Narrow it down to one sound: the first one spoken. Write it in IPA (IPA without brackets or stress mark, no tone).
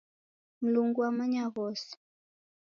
m̩